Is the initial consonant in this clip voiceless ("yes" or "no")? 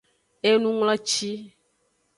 no